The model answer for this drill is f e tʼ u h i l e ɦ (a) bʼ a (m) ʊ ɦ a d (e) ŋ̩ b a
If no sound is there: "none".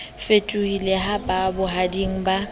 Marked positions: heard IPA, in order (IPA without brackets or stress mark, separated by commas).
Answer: a, b, i